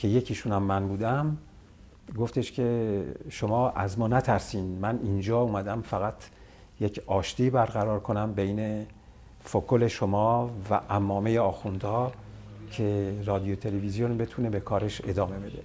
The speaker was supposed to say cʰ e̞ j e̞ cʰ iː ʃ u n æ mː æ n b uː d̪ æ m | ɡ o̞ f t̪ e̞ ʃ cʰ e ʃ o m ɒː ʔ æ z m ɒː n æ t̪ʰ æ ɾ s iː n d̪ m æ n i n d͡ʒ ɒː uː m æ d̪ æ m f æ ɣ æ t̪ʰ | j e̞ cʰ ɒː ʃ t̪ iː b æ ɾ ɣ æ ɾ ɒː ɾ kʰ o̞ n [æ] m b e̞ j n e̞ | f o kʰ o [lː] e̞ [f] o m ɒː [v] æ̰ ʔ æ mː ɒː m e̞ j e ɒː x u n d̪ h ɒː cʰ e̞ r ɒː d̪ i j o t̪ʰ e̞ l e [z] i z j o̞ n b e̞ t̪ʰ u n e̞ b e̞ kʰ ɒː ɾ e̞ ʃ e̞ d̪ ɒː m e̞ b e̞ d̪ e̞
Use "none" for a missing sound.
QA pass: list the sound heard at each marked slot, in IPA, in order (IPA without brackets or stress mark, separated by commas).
æ, l, ʃ, v, v